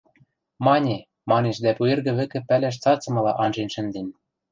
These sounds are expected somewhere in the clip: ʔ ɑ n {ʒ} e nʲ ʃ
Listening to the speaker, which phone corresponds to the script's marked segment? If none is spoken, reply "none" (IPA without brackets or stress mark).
ʒ